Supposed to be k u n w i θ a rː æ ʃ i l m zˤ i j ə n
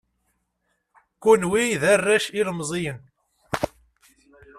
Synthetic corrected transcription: k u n w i ð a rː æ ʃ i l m zˤ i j ə n